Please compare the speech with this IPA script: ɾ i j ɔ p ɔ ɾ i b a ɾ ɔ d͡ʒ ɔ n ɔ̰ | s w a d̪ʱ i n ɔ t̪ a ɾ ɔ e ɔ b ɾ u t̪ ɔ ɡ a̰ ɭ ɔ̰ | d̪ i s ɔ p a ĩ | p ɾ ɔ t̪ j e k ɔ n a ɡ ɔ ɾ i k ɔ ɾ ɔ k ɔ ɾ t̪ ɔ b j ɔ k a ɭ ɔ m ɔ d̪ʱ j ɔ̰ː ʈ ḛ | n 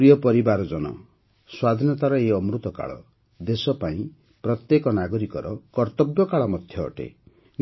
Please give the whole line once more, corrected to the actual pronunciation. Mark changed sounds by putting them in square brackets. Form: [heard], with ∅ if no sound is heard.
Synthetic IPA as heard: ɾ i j ɔ p ɔ ɾ i b a ɾ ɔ d͡ʒ ɔ n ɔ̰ | s w a d̪ʱ i n ɔ t̪ a ɾ ɔ e ɔ [m] ɾ u t̪ ɔ [k] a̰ ɭ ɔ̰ | d̪ [e] s ɔ p a ĩ | p ɾ ɔ t̪ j e k ɔ n a ɡ ɔ ɾ i k ɔ ɾ ɔ k ɔ ɾ t̪ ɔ b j ɔ k a ɭ ɔ m ɔ d̪ʱ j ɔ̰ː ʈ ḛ | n

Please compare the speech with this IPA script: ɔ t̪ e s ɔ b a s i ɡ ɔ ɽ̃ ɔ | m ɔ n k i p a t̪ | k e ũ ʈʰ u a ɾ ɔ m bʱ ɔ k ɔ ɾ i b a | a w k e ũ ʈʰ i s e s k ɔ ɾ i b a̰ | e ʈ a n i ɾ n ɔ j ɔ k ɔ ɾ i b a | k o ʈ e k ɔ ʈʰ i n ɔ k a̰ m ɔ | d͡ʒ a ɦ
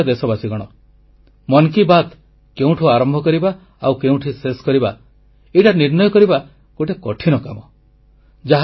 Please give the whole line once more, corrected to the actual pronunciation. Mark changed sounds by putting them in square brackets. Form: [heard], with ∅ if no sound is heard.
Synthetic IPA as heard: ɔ [d̪] e s ɔ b a s i ɡ ɔ ɽ̃ ɔ | m ɔ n k i [b] a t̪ | k e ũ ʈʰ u a ɾ ɔ m bʱ ɔ k ɔ ɾ i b a | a w k e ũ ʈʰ i s e s k ɔ ɾ i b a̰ | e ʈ a n i ɾ n ɔ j ɔ k ɔ ɾ i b a | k o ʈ e k ɔ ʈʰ i n ɔ k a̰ m ɔ | d͡ʒ a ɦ

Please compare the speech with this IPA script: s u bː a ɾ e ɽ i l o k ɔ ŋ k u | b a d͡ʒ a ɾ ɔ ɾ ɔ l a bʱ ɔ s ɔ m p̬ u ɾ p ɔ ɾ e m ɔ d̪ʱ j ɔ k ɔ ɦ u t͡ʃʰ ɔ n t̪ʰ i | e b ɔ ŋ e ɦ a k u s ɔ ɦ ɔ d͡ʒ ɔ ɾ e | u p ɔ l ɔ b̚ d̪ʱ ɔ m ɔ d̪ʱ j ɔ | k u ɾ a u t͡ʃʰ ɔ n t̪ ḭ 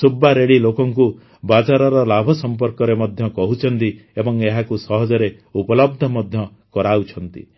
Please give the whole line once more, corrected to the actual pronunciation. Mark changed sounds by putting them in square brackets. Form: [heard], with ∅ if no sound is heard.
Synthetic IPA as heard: s u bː a ɾ e ɽ i l o k ɔ ŋ k u | b a d͡ʒ a ɾ ɔ ɾ ɔ l a bʱ ɔ s ɔ m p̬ [ɔ] ɾ [k] ɔ ɾ e m ɔ d̪ʱ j ɔ k ɔ ɦ u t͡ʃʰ ɔ n [t̪] i | e b ɔ ŋ e ɦ a k u s ɔ ɦ ɔ d͡ʒ ɔ ɾ e | u p ɔ l ɔ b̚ d̪ʱ ɔ m ɔ d̪ʱ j ɔ | k [ɔ] ɾ a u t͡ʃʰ ɔ n t̪ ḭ

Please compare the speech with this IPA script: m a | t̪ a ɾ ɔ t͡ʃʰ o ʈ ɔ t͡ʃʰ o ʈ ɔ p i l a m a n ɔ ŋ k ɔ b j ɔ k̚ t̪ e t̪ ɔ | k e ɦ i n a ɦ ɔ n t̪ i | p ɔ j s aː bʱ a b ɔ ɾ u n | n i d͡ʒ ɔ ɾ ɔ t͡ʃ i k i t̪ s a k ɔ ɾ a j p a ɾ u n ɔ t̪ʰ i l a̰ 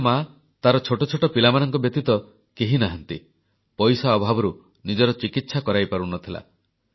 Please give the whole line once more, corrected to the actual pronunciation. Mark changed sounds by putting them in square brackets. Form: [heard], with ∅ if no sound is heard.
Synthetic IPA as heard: m a | t̪ a ɾ ɔ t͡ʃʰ o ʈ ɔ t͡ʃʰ o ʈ ɔ p i l a m a n ɔ ŋ k ɔ b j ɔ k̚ t̪ [i] t̪ ɔ | k e ɦ i n a ɦ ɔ n t̪ i | p ɔ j s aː bʱ a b ɔ ɾ u [∅] | n i d͡ʒ ɔ ɾ ɔ t͡ʃ i k i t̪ s a k ɔ ɾ a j p a ɾ u n ɔ t̪ʰ i l a̰

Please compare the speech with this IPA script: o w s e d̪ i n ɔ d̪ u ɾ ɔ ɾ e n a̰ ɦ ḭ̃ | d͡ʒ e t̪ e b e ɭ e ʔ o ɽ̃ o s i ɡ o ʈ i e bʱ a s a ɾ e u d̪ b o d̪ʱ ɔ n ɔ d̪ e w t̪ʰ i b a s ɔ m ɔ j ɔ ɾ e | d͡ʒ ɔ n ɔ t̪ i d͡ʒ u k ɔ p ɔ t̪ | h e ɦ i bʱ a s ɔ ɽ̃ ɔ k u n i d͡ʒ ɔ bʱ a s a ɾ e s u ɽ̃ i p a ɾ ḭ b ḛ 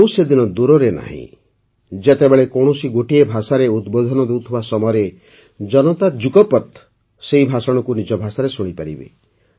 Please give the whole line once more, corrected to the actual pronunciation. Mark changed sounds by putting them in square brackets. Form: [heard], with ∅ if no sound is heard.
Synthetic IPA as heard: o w s e d̪ i n ɔ d̪ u ɾ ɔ ɾ e n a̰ ɦ ḭ̃ | d͡ʒ e t̪ e b e ɭ e [k] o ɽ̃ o s i ɡ o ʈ i e bʱ a s a ɾ e u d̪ b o d̪ʱ ɔ n ɔ d̪ e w t̪ʰ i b a s ɔ m ɔ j ɔ ɾ e | d͡ʒ ɔ n ɔ t̪ [a] d͡ʒ u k ɔ p ɔ t̪ | [s] e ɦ i bʱ a s ɔ ɽ̃ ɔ k u n i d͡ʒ ɔ bʱ a s a ɾ e s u ɽ̃ i p a ɾ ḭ b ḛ

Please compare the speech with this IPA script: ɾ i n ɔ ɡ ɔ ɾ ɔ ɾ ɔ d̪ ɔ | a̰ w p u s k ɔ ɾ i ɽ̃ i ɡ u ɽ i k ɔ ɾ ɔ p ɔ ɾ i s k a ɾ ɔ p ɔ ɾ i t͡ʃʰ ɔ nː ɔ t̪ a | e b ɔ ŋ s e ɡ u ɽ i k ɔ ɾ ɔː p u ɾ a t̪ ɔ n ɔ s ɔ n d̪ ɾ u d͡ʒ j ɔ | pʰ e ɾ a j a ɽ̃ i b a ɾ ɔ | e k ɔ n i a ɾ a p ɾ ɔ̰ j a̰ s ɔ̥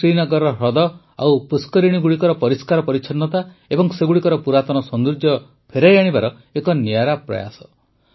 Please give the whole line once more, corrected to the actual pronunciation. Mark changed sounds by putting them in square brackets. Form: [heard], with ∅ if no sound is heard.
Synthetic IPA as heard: ɾ i n ɔ ɡ ɔ ɾ ɔ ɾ ɔ d̪ ɔ | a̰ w p u s k ɔ ɾ i ɽ̃ i ɡ u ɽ i k ɔ ɾ ɔ p ɔ ɾ i s k a ɾ ɔ p ɔ ɾ i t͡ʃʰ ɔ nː ɔ t̪ a | e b ɔ ŋ s e ɡ u ɽ i k ɔ ɾ [ɔ] p u ɾ a t̪ ɔ n ɔ s ɔ n d̪ ɾ u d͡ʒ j ɔ | pʰ e ɾ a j a ɽ̃ i b a ɾ ɔ | e k ɔ n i a ɾ a p ɾ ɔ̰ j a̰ s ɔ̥

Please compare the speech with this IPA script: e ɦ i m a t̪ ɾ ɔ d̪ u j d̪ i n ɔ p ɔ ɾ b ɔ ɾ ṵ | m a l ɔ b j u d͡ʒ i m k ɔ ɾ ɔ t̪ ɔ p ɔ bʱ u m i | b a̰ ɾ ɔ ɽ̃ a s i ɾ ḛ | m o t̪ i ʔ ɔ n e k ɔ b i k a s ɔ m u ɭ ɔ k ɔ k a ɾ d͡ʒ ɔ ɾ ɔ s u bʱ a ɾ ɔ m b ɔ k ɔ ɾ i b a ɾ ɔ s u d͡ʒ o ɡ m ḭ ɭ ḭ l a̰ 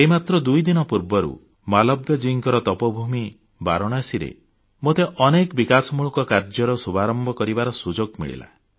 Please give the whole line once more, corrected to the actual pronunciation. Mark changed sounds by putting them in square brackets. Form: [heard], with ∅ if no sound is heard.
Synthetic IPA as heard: e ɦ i m a t̪ ɾ ɔ d̪ u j d̪ i n ɔ p [u] ɾ b ɔ ɾ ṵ | m a l ɔ b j [ɔ] d͡ʒ i [ŋ] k ɔ ɾ ɔ t̪ ɔ p ɔ bʱ u m i | b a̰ ɾ ɔ ɽ̃ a s i ɾ ḛ | m o t̪ [e] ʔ ɔ n e k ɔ b i k a s ɔ m u ɭ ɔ k ɔ k a ɾ d͡ʒ ɔ ɾ ɔ s u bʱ a ɾ ɔ m b ɔ k ɔ ɾ i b a ɾ ɔ s u d͡ʒ o ɡ m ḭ ɭ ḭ l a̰

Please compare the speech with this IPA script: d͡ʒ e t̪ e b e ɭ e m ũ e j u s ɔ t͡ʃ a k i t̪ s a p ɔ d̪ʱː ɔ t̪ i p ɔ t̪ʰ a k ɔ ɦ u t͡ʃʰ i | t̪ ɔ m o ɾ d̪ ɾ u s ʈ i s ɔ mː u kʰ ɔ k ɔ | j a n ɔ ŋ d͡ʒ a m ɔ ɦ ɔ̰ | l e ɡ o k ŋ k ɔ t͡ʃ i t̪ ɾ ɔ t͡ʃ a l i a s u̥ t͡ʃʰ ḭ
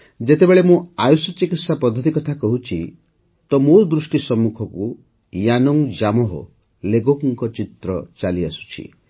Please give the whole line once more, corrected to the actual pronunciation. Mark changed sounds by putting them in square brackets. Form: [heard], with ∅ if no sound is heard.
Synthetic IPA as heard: d͡ʒ e t̪ e b e ɭ e m ũ [a] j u s ɔ t͡ʃ [i] k i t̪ s a p ɔ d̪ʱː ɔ t̪ i [k] ɔ t̪ʰ a k ɔ ɦ u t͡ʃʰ i | t̪ ɔ m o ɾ d̪ ɾ u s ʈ i s ɔ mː u kʰ ɔ k [u] | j a n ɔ ŋ d͡ʒ a m ɔ ɦ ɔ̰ | l e ɡ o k ŋ k ɔ t͡ʃ i t̪ ɾ ɔ t͡ʃ a l i a s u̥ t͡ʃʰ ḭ

